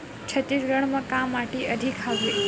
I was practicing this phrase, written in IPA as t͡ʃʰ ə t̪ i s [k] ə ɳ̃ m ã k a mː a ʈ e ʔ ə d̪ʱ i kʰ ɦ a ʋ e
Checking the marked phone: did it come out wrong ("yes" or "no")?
yes